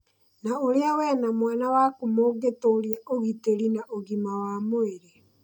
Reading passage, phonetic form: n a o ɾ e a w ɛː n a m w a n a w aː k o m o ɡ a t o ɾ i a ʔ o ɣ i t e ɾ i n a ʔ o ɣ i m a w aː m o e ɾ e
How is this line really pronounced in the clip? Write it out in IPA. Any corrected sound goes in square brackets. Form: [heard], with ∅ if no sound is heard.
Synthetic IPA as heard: n a o ɾ e a w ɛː n a m w a n a w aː k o m o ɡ [e] t o ɾ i a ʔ o ɣ i t e ɾ i n a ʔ o ɣ i m a w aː m o e ɾ e